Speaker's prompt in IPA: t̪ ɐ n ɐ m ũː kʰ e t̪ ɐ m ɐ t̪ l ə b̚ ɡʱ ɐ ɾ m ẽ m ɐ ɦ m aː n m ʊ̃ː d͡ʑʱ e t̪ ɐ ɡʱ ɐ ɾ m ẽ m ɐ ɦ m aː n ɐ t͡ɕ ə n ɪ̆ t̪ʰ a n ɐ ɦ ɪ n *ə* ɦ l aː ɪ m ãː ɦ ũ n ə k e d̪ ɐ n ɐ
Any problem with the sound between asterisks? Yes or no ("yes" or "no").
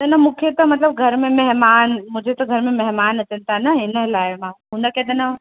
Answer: no